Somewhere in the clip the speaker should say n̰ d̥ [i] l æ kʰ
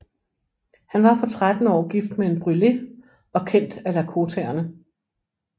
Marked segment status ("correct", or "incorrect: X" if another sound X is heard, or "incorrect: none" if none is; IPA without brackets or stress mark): incorrect: æ